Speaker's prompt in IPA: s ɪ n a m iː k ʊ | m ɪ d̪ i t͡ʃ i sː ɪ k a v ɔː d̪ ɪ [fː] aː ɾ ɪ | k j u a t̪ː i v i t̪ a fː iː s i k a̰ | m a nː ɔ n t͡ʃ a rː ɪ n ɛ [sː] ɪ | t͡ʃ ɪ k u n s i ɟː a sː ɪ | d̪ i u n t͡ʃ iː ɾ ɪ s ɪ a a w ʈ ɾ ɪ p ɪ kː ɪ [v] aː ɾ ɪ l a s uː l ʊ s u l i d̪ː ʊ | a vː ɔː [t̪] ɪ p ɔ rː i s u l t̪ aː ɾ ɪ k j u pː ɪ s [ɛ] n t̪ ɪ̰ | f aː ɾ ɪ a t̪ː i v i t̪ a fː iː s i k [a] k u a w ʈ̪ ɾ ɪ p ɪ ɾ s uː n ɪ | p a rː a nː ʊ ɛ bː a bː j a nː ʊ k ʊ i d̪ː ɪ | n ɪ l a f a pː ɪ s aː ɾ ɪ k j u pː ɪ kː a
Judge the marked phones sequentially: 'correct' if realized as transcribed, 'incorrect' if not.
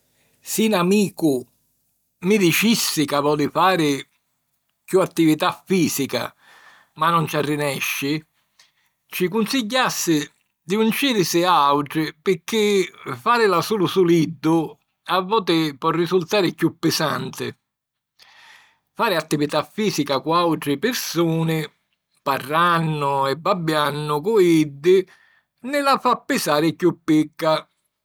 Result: incorrect, incorrect, incorrect, correct, incorrect, correct

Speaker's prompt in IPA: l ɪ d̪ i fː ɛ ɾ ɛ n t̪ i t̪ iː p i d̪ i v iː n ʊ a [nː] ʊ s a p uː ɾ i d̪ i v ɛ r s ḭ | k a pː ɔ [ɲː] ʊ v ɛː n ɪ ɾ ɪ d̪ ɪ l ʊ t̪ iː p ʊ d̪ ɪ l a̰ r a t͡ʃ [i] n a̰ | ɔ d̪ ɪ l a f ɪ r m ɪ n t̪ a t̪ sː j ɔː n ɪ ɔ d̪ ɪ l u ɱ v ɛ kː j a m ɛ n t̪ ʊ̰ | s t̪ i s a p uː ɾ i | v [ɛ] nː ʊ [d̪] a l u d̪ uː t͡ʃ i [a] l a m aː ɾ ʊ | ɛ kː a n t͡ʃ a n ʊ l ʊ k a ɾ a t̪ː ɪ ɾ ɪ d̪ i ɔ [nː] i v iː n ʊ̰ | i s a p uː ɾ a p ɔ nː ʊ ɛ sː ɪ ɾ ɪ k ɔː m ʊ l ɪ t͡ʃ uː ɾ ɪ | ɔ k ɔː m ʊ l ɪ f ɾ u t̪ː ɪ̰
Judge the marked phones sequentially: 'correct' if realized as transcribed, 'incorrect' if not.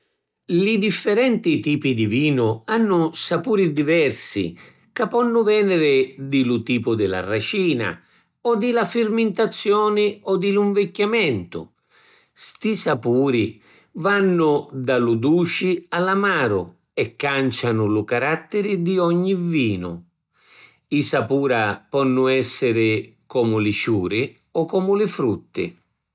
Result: correct, incorrect, incorrect, incorrect, correct, correct, incorrect

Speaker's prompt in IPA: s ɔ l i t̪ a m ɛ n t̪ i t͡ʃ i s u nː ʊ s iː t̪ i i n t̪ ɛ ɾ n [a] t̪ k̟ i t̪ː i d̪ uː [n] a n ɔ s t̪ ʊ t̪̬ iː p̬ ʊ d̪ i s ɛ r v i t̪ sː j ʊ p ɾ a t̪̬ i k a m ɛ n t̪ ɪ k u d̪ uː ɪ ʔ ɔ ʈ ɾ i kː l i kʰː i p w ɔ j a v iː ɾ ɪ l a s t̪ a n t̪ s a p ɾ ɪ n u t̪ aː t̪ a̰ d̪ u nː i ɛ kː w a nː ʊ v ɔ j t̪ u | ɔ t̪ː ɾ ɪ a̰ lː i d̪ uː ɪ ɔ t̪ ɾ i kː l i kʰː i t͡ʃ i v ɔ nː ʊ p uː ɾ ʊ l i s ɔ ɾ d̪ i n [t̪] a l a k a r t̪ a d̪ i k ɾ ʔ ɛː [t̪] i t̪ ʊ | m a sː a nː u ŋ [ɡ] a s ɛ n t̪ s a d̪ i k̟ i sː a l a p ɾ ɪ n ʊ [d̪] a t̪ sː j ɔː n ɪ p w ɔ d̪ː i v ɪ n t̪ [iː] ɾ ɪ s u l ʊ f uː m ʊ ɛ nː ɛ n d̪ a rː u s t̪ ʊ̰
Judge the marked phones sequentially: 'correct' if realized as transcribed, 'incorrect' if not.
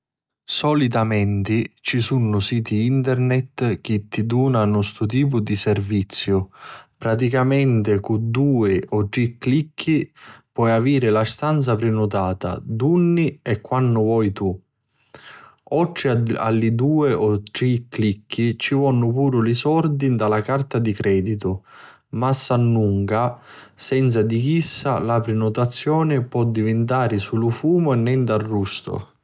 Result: incorrect, correct, incorrect, incorrect, incorrect, incorrect, incorrect

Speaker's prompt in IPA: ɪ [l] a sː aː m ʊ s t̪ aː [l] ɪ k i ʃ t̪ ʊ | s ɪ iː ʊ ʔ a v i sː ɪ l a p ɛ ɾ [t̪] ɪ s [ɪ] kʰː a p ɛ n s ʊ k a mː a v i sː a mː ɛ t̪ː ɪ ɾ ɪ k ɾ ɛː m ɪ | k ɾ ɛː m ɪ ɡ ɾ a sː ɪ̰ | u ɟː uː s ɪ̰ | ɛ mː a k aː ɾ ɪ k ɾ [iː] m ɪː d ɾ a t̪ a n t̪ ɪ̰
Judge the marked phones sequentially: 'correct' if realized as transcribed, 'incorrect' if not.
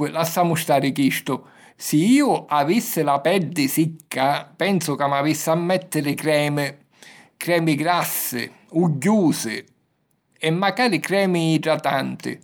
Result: correct, incorrect, incorrect, incorrect, incorrect

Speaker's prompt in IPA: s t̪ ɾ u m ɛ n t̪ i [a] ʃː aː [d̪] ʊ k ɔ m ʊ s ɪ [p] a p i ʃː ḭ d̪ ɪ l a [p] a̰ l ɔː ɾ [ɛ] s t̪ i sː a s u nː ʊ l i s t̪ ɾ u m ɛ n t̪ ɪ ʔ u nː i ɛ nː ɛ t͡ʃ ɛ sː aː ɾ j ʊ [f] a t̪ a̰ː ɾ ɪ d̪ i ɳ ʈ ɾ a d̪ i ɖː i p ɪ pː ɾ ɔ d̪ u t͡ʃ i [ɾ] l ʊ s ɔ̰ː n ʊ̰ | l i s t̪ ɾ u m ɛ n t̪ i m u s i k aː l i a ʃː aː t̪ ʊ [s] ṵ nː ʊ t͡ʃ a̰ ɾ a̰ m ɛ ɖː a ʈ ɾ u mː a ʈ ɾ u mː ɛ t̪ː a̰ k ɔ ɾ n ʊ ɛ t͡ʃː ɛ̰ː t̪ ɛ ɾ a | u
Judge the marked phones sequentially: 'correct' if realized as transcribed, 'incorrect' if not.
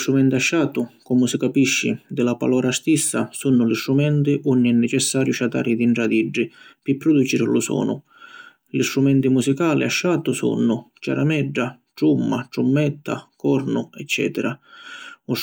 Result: correct, incorrect, incorrect, correct, incorrect, incorrect, correct, correct

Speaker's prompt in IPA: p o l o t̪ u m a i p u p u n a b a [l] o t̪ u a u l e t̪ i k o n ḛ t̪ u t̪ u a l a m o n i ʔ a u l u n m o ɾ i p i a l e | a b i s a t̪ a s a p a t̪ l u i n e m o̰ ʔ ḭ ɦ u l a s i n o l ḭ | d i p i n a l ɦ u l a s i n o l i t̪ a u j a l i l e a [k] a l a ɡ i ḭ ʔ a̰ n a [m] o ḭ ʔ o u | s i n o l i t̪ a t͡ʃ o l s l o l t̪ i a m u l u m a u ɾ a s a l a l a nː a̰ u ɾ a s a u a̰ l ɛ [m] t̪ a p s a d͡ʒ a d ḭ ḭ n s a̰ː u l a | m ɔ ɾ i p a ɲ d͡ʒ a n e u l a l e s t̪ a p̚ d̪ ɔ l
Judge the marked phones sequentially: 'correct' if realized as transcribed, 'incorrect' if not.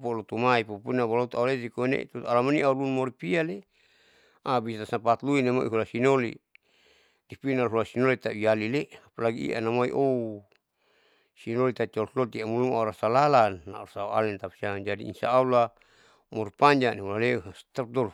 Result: correct, incorrect, correct, incorrect

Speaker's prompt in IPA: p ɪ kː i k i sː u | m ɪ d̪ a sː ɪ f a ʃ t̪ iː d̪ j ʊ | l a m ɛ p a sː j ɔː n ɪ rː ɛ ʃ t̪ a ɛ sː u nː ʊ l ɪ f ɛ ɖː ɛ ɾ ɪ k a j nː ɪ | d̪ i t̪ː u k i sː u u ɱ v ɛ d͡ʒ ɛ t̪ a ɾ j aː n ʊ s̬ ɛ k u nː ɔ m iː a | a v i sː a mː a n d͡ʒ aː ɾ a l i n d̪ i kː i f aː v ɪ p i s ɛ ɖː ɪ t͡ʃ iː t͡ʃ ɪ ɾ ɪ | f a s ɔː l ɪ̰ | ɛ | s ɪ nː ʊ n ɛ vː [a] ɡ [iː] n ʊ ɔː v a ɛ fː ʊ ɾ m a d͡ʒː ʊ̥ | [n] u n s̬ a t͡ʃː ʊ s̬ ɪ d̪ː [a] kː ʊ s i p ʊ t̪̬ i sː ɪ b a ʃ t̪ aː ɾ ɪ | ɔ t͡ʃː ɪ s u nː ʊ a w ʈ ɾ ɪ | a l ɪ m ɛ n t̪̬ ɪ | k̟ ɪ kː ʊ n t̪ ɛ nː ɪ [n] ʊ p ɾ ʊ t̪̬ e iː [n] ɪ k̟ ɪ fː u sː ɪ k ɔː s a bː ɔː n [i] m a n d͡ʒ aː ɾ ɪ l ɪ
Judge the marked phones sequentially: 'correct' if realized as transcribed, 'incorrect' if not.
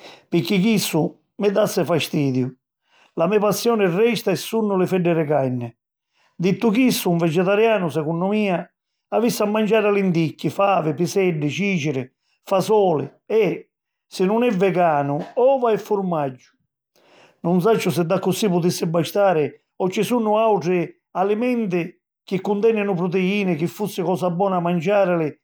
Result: incorrect, incorrect, correct, correct, correct, correct, incorrect

